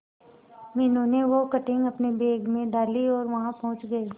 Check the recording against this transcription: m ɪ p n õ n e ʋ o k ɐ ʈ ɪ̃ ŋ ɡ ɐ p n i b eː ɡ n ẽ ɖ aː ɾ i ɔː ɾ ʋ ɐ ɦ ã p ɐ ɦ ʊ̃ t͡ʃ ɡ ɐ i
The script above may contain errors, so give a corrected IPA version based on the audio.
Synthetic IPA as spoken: m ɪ n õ n e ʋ o k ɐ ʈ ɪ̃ ŋ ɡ ɐ p n e b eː ɡ m ẽ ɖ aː l i ɔː ɾ ʋ ɐ ɦ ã p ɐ ɦ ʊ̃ t͡ʃ ɡ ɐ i

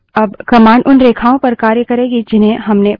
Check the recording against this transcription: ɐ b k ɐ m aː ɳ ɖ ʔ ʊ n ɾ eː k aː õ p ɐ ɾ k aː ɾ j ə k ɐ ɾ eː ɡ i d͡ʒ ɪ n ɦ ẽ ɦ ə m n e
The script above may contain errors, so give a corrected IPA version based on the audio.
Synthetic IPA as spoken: ɐ b k ɐ m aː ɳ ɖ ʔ ʊ n ɾ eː kʰ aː õ p ɐ ɾ k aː ɾ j ə k ɐ ɾ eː ɡ i d͡ʒ ɪ n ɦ ẽ ɦ ɐ m n e

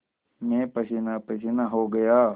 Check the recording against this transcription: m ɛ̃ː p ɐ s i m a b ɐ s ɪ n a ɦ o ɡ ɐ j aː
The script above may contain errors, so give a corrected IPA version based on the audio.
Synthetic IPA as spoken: m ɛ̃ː p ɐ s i n a p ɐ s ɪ n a ɦ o ɡ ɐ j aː

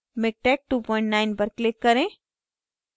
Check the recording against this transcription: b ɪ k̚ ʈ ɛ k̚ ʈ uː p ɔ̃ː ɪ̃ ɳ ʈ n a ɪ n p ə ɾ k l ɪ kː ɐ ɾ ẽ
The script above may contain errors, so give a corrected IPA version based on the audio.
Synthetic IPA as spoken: m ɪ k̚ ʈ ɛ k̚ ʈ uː p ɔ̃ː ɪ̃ ɳ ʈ n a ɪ n p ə ɾ k l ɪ kː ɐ ɾ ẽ

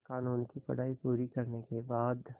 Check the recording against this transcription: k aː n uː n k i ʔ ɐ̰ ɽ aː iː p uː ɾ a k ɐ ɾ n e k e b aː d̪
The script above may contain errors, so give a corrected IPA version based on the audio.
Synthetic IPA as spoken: k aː n uː n k i p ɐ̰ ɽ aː i p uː ɾ i k ɐ ɾ n e k e b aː d̪

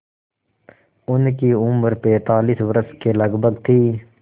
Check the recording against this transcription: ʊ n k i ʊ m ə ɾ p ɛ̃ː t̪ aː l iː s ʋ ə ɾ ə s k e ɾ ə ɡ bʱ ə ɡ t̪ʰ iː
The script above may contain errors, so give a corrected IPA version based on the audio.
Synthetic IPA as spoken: ʊ n k i ʊ m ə ɾ p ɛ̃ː t̪ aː l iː s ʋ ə ɾ ə s k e l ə ɡ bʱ ə ɡ t̪ʰ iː

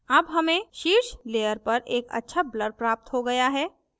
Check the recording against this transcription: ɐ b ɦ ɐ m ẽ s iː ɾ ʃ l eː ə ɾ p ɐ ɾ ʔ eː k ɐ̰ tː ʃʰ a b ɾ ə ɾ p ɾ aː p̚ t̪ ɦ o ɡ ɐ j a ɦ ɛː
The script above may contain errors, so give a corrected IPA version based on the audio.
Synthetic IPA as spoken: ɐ b ɦ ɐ m ẽ ʃ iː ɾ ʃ l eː ə ɾ p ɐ ɾ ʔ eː k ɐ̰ tː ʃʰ a b l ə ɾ p ɾ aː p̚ t̪ ɦ o ɡ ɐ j a ɦ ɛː

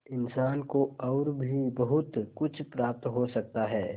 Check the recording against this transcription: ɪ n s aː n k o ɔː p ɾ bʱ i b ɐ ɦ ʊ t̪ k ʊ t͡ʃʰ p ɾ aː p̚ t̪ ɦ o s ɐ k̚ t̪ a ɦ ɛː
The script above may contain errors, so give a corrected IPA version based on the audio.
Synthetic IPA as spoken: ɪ n s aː n k o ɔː ɾ bʱ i b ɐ ɦ ʊ t̪ k ʊ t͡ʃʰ p ɾ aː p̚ t̪ ɦ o s ɐ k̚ t̪ a ɦ ɛː

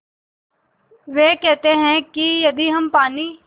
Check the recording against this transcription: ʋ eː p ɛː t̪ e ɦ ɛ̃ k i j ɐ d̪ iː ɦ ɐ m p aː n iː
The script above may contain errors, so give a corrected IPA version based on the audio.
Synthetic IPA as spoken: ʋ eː k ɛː t̪ e ɦ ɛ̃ k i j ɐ d̪ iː ɦ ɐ m p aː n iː

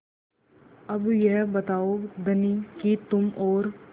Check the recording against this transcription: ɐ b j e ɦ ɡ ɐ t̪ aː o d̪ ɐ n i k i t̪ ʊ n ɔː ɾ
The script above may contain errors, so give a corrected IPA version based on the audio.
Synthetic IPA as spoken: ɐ b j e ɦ b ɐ t̪ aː o d̪ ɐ n i k i t̪ ʊ m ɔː ɾ

